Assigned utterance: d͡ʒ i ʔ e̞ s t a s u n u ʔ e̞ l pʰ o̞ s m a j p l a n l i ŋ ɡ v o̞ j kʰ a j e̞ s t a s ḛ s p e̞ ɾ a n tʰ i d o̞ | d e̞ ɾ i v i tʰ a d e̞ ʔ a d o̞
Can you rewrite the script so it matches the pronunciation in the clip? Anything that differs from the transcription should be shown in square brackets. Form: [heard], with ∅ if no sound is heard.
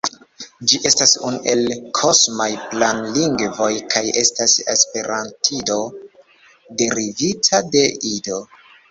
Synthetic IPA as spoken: d͡ʒ i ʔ e̞ s t a s u n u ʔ e̞ l [kʰ] o̞ s m a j p l a n l i ŋ ɡ v o̞ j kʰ a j e̞ s t a s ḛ s p e̞ ɾ a n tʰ i d o̞ | d e̞ ɾ i v i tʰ a d e̞ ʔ [i] d o̞